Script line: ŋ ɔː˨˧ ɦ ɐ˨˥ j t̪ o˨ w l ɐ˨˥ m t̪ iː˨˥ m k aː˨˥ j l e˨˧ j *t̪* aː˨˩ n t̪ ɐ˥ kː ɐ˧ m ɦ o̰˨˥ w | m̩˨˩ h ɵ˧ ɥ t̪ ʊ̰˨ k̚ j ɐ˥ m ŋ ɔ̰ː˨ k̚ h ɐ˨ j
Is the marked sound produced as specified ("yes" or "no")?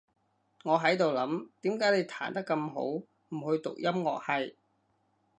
no